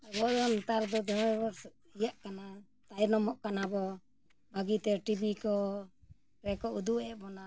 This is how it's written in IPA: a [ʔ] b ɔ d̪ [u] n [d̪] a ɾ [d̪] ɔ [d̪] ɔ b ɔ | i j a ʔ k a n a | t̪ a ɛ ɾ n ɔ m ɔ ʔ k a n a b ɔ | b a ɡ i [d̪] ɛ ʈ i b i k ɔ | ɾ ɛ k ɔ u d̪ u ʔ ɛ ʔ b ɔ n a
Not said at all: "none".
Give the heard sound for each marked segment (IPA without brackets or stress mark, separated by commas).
none, ɔ, t̪, d̪, d̪, t̪